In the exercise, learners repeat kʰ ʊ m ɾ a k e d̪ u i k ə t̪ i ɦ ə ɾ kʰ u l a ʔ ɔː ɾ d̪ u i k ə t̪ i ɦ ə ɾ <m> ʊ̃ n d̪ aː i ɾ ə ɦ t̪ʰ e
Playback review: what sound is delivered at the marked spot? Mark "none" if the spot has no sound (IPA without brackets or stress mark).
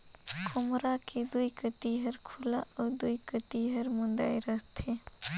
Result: m